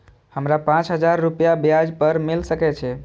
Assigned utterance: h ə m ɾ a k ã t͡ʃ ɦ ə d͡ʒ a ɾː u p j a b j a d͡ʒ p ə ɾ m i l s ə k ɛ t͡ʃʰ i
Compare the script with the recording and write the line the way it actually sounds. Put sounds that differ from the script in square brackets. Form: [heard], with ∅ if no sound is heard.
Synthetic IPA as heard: h ə m ɾ a [p] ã t͡ʃ ɦ ə d͡ʒ a ɾː u p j a b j a d͡ʒ p ə ɾ m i l s ə k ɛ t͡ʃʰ [ɛ]